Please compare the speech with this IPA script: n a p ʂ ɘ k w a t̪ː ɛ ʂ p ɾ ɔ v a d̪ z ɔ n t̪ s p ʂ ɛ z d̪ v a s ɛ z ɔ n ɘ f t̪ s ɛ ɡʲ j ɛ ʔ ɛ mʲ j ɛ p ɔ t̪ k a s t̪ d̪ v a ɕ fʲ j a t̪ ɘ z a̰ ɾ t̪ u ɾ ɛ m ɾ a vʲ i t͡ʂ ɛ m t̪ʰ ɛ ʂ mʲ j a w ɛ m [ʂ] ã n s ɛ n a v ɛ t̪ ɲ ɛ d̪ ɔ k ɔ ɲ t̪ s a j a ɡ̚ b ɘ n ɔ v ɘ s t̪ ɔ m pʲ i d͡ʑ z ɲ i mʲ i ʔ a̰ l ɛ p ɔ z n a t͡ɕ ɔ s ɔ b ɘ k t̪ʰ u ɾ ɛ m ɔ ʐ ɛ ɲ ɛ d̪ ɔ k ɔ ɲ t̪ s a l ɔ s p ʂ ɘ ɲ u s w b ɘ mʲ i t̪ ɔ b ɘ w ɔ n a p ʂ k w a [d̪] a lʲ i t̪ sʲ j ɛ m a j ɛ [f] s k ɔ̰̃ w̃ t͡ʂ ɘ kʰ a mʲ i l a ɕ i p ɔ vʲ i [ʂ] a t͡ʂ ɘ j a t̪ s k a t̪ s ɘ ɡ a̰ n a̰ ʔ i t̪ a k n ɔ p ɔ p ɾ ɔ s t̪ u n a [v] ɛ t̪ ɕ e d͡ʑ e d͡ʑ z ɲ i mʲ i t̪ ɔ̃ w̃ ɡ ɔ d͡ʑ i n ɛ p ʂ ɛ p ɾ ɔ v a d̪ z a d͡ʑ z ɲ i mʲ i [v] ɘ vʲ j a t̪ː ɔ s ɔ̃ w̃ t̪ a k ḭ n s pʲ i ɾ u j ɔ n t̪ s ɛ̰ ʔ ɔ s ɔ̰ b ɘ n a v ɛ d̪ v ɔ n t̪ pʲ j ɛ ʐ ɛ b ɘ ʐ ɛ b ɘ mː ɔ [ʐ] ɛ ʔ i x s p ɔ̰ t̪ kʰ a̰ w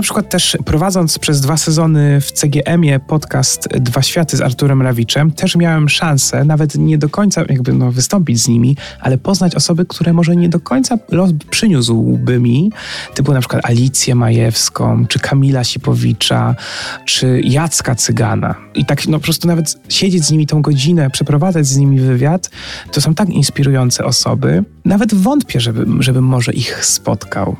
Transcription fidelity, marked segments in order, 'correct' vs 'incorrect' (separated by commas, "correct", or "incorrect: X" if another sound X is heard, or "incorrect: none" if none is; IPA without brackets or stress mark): correct, incorrect: t̪, correct, incorrect: t͡ʂ, correct, correct, correct